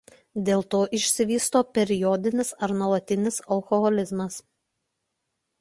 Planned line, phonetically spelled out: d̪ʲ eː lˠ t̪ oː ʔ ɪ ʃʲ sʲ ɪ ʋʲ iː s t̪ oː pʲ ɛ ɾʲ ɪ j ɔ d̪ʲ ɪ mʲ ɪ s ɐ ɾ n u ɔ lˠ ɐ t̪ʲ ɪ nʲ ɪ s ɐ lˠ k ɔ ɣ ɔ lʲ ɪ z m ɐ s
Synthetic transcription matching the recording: d̪ʲ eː lˠ t̪ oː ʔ ɪ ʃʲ sʲ ɪ ʋʲ iː s t̪ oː pʲ ɛ ɾʲ ɪ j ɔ d̪ʲ ɪ nʲ ɪ s ɐ ɾ n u ɔ lˠ ɐ t̪ʲ ɪ nʲ ɪ s ɐ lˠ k ɔ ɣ ɔ lʲ ɪ z m ɐ s